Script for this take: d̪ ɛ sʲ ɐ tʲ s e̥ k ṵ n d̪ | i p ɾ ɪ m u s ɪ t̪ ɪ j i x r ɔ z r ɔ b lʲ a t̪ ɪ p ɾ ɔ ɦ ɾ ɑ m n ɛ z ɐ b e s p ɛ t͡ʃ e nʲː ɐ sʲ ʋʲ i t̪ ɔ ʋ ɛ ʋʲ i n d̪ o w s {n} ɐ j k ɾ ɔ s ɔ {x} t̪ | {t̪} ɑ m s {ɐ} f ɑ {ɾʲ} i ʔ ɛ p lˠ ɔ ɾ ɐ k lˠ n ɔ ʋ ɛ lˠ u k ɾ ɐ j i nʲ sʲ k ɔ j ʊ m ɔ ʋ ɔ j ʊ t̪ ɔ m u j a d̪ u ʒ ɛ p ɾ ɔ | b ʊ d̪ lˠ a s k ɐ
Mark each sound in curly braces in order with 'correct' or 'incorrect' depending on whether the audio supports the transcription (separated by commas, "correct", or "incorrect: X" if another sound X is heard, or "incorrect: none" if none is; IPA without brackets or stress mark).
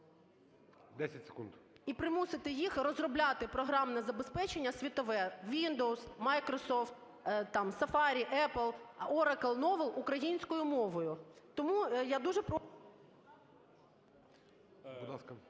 incorrect: m, incorrect: f, correct, correct, correct